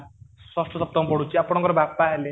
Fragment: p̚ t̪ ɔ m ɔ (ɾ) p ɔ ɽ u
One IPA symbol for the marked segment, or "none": none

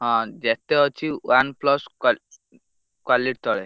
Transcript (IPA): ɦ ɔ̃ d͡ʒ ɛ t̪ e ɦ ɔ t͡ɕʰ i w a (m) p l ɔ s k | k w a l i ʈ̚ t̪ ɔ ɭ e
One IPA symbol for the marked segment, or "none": n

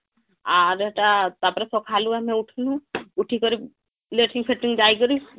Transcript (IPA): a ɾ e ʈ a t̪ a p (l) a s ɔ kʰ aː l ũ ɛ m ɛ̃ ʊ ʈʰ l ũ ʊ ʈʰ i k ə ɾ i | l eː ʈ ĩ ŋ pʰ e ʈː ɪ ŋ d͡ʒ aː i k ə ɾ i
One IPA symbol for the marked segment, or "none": ɾ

